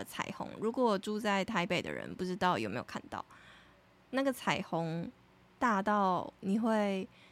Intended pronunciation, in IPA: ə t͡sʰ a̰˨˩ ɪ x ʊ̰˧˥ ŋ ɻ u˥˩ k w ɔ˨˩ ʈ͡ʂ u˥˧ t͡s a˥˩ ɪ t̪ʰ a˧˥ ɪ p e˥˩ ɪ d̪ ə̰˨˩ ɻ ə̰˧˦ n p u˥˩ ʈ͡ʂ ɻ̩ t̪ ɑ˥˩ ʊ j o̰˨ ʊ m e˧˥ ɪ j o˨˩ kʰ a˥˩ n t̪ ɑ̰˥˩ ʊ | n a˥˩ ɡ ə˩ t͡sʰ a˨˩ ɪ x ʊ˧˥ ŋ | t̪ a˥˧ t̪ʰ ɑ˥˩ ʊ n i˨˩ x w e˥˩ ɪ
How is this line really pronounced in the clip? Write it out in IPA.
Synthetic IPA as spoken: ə t͡sʰ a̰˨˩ ɪ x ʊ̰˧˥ ŋ ɻ u˧˥ k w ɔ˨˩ ʈ͡ʂ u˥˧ t͡s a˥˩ ɪ t̪ʰ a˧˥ ɪ p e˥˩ ɪ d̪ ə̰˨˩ ɻ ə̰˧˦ n p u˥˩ ʈ͡ʂ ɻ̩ t̪ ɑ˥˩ ʊ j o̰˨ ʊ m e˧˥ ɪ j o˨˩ kʰ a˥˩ n t̪ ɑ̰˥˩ ʊ | n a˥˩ ɡ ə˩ t͡sʰ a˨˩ ɪ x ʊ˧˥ ŋ | t̪ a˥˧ t̪ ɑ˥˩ ʊ n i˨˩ x w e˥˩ ɪ